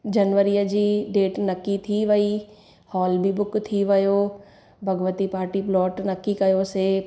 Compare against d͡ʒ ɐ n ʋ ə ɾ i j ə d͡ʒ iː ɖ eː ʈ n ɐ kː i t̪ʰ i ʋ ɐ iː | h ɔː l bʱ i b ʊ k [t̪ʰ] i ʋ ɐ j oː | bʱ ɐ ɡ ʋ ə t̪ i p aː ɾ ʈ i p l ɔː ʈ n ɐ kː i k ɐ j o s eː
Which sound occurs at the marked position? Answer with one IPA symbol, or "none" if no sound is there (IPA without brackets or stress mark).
t̪ʰ